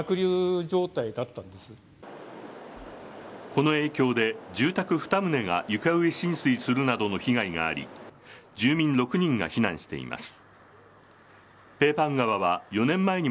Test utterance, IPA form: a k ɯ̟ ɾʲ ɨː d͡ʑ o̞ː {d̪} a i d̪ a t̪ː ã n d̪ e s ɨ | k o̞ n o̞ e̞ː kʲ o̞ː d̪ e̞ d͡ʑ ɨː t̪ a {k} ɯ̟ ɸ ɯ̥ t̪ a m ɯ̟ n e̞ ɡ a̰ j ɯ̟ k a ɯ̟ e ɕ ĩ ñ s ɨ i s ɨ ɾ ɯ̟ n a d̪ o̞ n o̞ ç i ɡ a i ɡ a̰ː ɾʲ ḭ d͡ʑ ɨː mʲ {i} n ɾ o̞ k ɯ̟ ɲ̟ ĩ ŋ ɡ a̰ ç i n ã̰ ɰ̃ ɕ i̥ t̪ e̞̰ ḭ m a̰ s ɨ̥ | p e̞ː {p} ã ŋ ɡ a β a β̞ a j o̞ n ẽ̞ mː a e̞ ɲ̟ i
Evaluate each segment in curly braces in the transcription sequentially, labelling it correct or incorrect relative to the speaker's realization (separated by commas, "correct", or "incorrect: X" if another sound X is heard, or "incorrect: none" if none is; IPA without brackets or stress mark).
incorrect: t̪, correct, incorrect: ĩ, correct